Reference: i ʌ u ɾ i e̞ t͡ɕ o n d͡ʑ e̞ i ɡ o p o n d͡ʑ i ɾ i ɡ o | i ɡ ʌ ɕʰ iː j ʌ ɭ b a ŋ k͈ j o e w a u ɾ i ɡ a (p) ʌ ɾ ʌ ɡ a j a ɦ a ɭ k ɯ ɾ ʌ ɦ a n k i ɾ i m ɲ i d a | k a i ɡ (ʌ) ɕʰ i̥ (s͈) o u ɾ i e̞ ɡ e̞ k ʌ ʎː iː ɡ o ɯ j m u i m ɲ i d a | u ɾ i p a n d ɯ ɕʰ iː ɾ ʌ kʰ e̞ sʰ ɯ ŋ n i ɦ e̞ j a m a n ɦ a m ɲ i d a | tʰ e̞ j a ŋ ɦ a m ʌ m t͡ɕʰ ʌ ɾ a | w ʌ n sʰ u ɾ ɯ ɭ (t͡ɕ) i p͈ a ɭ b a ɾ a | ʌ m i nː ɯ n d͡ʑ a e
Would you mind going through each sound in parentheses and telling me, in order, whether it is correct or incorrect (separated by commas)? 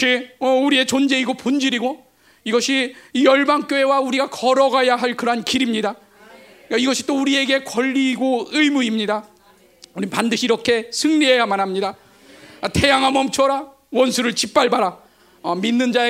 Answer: incorrect, correct, incorrect, correct